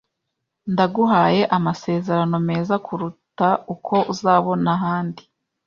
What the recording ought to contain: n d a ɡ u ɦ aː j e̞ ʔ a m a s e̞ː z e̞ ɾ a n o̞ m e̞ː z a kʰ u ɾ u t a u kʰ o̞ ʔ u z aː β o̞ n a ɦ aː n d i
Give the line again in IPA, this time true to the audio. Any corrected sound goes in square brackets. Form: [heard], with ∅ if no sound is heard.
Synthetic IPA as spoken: n d a ɡ u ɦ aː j e̞ ʔ a m a s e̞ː z e̞ ɾ a n o̞ m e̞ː z a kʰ u ɾ u t a u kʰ o̞ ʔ u z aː β o̞ n a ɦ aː n d i